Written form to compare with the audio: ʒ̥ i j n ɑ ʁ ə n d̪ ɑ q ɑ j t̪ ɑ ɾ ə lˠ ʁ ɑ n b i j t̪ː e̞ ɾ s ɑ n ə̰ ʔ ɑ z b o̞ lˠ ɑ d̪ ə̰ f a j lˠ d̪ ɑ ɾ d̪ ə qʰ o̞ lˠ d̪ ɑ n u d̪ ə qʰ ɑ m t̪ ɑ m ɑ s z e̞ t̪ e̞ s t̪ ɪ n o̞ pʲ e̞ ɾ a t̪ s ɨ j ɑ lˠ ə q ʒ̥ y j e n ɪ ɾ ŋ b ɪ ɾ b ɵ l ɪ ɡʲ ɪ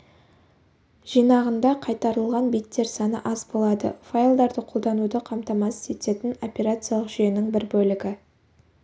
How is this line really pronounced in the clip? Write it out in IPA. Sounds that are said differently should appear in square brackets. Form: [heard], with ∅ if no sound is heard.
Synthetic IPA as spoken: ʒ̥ i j n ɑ ʁ ə n d̪ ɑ [qʰ] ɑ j t̪ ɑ ɾ ə lˠ ʁ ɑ n b i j t̪ː e̞ ɾ s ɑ n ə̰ ʔ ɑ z b o̞ lˠ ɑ d̪ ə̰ f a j lˠ d̪ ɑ ɾ d̪ ə qʰ o̞ lˠ d̪ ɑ n u d̪ ə qʰ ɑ m t̪ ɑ m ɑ s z e̞ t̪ e̞ [∅] t̪ ɪ n o̞ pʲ e̞ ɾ a t̪ s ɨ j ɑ lˠ ə q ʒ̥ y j e n ɪ [∅] ŋ b ɪ ɾ b ɵ l ɪ ɡʲ ɪ